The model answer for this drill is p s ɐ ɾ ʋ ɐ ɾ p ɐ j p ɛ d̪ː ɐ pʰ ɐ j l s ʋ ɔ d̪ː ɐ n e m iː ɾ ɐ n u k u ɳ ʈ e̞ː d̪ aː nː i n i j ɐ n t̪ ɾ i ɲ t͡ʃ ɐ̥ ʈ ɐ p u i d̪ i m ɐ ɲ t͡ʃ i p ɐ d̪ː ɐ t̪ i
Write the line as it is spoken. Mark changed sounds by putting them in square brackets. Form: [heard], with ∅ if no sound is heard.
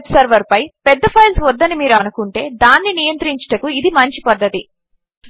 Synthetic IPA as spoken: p s ɐ ɾ ʋ ɐ ɾ p ɐ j p ɛ d̪ː ɐ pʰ ɐ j l s ʋ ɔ d̪ː ɐ n [i] m iː ɾ ɐ n u k u ɳ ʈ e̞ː d̪ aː nː i n i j ɐ n t̪ ɾ i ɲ t͡ʃ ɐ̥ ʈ ɐ [k] u i d̪ i m ɐ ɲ t͡ʃ i p ɐ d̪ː ɐ t̪ i